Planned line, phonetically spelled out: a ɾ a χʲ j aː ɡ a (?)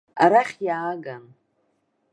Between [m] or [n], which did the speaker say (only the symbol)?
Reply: n